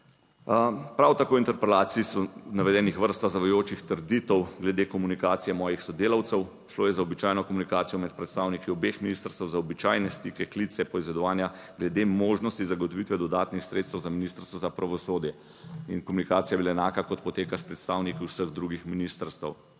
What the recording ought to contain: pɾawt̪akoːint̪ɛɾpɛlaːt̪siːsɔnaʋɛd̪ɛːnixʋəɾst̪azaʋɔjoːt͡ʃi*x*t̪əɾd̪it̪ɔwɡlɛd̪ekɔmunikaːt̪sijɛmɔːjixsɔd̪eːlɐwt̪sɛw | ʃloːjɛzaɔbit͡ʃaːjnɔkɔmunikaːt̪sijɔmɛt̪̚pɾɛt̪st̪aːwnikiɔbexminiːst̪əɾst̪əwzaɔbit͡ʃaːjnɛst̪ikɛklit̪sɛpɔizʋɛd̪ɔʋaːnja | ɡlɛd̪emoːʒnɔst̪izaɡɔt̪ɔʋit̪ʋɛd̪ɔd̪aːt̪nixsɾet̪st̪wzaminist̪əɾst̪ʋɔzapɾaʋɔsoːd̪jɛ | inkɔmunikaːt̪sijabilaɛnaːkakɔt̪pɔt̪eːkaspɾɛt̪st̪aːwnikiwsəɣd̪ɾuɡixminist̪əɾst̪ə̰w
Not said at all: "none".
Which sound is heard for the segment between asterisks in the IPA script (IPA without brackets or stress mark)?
x